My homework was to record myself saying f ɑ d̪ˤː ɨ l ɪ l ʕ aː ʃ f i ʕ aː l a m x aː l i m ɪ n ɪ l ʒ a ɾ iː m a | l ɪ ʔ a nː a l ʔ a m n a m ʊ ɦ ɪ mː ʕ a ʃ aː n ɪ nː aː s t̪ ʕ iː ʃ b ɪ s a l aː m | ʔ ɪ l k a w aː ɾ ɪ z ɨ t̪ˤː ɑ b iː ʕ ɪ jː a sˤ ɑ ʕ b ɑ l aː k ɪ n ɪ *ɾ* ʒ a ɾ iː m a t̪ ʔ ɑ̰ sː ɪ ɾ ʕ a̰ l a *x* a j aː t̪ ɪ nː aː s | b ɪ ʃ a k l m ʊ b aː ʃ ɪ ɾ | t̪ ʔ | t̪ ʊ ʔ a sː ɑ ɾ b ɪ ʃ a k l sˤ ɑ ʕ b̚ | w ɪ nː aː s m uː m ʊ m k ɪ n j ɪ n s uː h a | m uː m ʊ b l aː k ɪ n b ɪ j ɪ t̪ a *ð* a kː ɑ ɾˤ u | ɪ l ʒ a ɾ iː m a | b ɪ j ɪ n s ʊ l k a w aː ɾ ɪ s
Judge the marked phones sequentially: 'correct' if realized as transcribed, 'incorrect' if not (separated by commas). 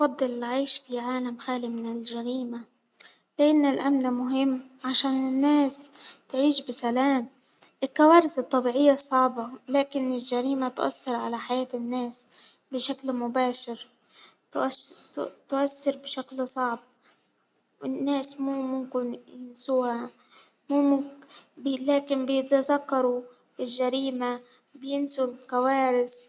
incorrect, incorrect, incorrect